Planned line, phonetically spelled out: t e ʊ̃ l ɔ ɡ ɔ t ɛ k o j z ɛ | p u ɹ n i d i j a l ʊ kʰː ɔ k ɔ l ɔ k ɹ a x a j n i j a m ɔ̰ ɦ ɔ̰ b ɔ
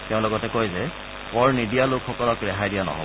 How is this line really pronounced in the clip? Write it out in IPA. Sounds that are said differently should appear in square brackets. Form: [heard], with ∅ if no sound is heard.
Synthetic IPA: t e ʊ̃ l ɔ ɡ ɔ t ɛ k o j z ɛ | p [ɔ] ɹ n i d i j a l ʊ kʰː ɔ k ɔ l ɔ k ɹ [ɛ] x a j [d] i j a [n] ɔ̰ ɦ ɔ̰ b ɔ